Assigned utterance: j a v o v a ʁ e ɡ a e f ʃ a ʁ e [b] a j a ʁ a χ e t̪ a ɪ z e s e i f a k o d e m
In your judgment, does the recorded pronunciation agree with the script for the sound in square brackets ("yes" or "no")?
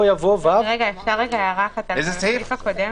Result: no